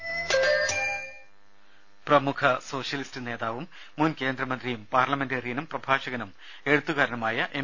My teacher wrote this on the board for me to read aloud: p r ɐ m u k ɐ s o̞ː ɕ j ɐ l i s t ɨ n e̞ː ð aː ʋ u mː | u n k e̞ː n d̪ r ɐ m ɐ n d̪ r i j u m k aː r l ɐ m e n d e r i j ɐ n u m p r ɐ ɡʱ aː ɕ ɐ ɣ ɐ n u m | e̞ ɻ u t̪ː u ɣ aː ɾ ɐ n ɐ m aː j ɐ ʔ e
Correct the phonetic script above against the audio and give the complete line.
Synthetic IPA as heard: p r ɐ m u kʰ ɐ s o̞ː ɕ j ɐ l i s t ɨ n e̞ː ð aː ʋ u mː | u n k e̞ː n d̪ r ɐ m ɐ n d̪ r i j u m p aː r l ɐ m e n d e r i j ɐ n u m p r ɐ bʱ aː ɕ ɐ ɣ ɐ n u m | e̞ ɻ u t̪ː u ɣ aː ɾ ɐ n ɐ m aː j ɐ ʔ e